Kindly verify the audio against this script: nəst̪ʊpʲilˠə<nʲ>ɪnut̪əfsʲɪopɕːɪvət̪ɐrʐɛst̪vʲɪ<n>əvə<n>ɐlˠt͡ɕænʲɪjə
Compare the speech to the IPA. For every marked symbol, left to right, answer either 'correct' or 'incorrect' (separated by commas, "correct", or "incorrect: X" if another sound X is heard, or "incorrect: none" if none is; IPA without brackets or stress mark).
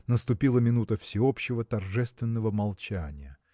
incorrect: mʲ, incorrect: nː, incorrect: m